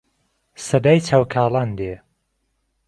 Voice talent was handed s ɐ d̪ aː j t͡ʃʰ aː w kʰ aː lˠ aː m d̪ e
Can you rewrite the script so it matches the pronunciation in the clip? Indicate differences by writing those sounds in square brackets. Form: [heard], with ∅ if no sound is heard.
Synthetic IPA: s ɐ d̪ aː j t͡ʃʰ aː w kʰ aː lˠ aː [n] d̪ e